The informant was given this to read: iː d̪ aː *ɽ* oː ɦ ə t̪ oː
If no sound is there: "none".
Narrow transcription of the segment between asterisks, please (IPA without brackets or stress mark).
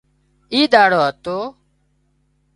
ɽ